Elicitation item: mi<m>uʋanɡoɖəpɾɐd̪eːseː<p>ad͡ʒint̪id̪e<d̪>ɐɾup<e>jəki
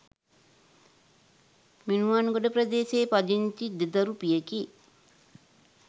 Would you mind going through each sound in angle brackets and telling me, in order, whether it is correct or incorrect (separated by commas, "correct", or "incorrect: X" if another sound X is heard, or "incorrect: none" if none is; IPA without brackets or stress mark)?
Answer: incorrect: n, correct, correct, incorrect: i